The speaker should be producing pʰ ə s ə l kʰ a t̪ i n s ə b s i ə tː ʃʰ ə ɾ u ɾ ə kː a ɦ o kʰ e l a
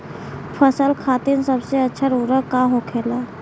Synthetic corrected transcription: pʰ ə s ə l kʰ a t̪ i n s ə b s e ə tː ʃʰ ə ɾ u ɾ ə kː a ɦ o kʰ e l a